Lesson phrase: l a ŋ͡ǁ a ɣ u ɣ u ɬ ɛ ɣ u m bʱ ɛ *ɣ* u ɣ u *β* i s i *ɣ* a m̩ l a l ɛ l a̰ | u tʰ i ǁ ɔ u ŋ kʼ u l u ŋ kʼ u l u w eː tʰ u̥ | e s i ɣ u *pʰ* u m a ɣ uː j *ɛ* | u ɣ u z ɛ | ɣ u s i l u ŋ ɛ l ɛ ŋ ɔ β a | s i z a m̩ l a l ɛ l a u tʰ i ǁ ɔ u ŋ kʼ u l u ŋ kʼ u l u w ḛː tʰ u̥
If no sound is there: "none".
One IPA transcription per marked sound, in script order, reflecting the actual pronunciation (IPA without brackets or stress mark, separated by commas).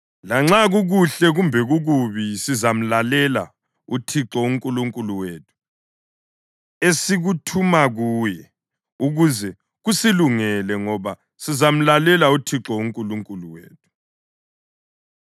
ɣ, β, z, tʰ, ɛ